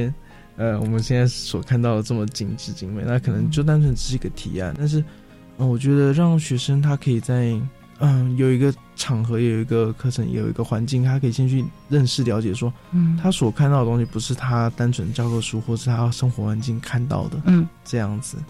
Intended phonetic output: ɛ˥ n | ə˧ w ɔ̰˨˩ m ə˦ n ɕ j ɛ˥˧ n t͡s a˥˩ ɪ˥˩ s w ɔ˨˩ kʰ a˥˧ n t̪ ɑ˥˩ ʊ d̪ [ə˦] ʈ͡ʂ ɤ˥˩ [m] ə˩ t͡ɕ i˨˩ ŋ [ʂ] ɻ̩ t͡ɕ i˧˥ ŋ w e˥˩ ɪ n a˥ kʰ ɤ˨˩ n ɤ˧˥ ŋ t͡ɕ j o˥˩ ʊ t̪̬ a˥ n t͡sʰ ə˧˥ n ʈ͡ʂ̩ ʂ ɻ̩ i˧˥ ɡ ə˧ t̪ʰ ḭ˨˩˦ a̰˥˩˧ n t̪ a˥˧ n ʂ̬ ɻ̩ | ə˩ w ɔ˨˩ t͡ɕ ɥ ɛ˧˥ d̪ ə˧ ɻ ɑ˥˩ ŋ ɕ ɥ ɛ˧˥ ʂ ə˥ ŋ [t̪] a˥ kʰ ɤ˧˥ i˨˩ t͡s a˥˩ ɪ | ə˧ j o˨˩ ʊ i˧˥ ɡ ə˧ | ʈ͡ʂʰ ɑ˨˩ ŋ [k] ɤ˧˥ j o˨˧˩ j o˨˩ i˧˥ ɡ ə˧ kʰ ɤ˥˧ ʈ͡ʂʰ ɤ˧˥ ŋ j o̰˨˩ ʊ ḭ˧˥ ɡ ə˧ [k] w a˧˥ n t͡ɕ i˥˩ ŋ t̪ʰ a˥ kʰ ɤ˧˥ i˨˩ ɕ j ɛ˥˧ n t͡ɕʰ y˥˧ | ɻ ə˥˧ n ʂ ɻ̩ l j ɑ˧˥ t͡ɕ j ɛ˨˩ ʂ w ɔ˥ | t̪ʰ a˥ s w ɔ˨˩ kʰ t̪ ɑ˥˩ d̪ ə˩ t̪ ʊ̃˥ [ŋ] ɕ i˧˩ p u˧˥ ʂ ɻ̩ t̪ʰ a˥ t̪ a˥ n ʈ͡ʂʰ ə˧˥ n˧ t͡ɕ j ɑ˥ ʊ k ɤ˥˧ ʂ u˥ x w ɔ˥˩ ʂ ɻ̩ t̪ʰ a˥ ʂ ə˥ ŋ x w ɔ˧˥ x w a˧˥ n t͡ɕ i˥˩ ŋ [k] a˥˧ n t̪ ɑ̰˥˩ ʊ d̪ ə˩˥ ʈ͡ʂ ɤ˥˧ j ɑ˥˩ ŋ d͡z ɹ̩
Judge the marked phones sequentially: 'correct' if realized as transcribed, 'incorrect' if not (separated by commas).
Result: incorrect, correct, incorrect, incorrect, incorrect, incorrect, correct, incorrect